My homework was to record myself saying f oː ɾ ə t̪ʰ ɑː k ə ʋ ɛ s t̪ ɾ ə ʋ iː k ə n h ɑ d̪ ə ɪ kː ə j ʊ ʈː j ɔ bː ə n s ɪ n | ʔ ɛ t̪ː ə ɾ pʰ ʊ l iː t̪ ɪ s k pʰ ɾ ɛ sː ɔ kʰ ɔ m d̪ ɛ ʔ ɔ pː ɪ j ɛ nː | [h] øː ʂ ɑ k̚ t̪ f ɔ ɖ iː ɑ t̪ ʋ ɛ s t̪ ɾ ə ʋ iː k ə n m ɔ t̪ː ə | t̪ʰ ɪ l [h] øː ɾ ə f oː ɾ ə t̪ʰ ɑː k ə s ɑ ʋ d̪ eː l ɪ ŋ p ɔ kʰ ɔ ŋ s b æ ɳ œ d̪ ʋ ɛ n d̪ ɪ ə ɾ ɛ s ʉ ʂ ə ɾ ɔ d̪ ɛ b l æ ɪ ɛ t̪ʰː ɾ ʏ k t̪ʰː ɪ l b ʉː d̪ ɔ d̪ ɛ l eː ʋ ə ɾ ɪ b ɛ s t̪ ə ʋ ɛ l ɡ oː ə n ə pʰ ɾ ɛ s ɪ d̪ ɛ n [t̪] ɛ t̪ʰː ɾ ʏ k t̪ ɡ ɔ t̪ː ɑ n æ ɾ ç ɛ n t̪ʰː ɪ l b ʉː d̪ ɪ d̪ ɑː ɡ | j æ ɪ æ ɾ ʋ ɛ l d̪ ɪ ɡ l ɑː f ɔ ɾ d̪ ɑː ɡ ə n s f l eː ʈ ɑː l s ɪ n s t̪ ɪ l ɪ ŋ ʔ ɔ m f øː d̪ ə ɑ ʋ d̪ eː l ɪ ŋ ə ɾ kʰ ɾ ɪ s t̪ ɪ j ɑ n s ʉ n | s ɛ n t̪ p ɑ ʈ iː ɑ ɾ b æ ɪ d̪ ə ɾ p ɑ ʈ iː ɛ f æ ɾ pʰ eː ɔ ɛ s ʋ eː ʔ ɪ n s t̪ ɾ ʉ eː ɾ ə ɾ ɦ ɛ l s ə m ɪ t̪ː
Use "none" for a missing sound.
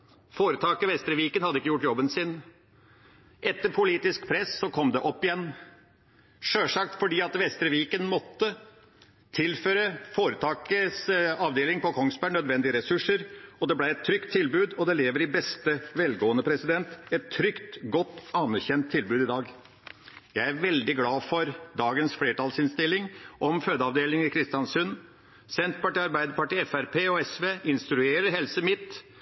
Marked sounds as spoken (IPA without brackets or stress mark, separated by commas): ʂ, f, t̪